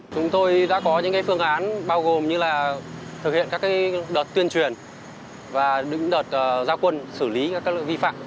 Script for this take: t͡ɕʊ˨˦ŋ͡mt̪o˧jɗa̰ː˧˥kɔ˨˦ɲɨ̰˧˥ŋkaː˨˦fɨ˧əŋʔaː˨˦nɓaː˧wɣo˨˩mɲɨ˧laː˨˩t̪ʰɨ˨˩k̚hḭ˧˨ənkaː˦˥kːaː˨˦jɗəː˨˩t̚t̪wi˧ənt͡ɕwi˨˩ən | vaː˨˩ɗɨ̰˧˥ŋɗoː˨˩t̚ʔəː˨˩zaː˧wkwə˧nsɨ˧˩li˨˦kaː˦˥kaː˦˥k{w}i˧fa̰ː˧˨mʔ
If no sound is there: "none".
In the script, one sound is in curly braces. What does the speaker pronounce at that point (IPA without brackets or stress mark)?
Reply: v